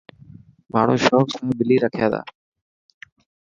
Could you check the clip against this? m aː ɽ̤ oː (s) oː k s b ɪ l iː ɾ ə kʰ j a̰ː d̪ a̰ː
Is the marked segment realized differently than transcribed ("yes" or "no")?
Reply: yes